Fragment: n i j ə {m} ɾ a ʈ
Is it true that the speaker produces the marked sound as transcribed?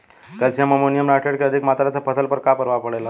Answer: yes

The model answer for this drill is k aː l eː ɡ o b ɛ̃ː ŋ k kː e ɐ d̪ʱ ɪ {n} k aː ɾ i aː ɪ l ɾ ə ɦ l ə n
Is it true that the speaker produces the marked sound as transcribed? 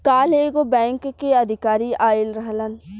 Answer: no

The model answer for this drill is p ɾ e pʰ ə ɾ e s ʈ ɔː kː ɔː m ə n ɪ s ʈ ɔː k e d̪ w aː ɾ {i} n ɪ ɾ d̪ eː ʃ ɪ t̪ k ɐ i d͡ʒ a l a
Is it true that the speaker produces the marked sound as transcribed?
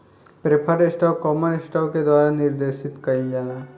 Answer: no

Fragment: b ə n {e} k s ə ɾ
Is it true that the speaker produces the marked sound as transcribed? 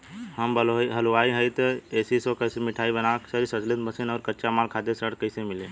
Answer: no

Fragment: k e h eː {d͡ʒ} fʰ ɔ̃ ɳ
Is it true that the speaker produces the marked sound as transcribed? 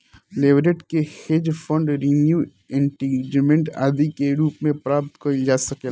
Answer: yes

